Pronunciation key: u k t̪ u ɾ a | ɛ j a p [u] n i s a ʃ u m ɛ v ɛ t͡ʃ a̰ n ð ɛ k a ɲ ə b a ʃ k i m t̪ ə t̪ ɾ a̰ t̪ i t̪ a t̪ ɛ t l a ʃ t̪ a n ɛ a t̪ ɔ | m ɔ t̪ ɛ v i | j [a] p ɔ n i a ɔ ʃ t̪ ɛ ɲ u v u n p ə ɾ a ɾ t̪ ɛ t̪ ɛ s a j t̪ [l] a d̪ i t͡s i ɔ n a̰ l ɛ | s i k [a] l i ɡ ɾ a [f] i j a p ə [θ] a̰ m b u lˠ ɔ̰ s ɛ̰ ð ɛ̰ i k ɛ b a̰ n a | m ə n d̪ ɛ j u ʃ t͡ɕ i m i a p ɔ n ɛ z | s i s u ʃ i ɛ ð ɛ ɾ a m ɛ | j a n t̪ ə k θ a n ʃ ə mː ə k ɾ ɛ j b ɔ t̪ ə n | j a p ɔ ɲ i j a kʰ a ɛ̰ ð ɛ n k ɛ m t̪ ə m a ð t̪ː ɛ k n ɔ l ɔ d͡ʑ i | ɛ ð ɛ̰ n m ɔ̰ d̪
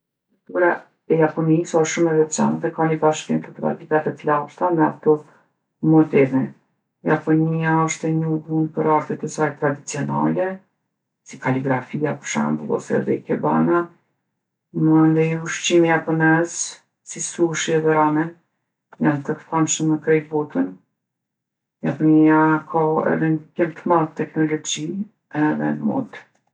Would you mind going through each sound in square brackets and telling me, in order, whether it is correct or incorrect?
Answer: incorrect, correct, incorrect, correct, correct, incorrect

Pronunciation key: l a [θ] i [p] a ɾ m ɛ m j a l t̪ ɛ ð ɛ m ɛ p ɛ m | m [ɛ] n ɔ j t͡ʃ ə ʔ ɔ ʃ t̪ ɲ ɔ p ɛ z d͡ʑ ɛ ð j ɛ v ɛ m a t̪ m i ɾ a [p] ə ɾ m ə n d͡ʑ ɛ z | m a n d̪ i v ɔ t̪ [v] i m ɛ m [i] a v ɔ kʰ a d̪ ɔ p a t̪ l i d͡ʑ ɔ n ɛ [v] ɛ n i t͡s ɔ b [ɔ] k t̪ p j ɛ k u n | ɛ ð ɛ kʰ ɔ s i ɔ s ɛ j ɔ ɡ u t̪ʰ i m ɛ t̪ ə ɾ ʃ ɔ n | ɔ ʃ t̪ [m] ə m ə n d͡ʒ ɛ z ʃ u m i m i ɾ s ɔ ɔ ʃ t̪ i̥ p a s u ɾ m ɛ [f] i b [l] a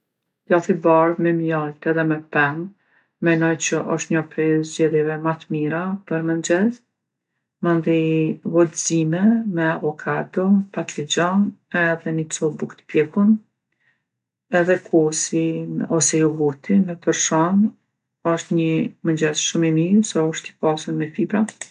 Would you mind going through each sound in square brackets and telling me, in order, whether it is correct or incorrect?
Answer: correct, incorrect, correct, correct, incorrect, incorrect, incorrect, incorrect, incorrect, correct, incorrect

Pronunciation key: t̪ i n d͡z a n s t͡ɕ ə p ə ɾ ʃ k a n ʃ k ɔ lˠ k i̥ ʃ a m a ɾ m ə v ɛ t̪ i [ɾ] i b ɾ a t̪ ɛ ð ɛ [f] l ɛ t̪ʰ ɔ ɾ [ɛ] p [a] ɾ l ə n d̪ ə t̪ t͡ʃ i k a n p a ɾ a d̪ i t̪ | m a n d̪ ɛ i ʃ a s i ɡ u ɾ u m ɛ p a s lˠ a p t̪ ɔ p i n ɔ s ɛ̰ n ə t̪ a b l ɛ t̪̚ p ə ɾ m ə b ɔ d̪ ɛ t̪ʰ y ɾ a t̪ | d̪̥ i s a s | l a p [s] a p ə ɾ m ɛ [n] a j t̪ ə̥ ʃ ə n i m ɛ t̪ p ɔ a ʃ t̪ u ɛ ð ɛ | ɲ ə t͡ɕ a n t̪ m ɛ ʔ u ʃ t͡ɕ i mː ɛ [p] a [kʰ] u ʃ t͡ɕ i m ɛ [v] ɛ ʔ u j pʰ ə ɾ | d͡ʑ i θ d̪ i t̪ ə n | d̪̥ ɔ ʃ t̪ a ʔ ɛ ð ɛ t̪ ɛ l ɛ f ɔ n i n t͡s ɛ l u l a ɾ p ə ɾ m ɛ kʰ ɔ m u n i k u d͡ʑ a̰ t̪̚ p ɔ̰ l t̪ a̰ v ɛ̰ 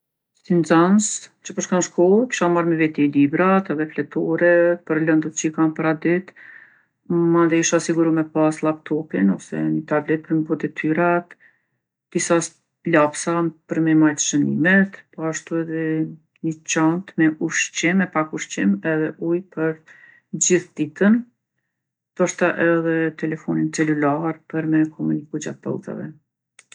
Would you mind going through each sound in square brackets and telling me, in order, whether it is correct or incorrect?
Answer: incorrect, correct, correct, incorrect, correct, incorrect, correct, incorrect, incorrect

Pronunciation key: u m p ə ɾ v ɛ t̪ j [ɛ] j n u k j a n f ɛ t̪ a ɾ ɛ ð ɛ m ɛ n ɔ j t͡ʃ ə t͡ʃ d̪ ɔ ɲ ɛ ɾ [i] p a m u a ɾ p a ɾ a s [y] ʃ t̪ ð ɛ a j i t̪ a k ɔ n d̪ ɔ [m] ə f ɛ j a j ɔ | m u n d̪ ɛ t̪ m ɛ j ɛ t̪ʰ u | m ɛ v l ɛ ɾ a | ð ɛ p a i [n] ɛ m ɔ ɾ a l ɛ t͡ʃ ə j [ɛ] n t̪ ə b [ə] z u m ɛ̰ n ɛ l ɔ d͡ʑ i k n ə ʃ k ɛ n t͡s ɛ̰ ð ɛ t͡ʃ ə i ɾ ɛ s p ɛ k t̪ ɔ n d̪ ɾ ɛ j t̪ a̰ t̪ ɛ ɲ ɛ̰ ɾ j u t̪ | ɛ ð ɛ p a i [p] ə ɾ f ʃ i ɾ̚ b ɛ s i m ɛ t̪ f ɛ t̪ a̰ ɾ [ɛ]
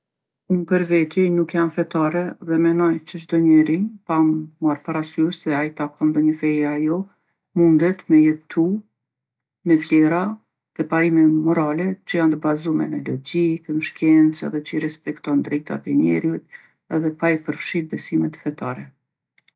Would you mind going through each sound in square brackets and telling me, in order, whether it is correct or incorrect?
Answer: correct, correct, correct, incorrect, incorrect, incorrect, incorrect, correct, correct

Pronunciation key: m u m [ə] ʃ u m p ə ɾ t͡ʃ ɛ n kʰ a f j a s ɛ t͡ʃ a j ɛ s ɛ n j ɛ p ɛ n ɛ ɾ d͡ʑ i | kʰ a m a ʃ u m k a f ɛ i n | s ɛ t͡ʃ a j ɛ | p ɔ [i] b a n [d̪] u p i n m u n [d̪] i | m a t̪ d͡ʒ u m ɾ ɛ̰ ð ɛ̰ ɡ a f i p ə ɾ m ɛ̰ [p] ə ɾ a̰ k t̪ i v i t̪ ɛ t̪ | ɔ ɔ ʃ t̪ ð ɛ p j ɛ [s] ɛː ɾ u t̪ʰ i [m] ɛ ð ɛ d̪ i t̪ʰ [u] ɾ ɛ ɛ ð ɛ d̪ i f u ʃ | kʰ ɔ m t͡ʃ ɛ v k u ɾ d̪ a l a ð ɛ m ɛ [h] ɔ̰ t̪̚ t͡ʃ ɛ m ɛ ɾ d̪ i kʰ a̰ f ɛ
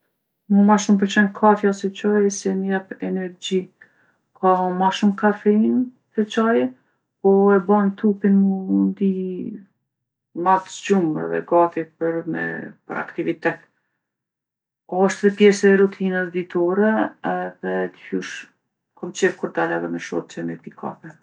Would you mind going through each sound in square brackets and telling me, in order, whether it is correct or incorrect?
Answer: incorrect, incorrect, incorrect, correct, correct, correct, incorrect, incorrect, incorrect

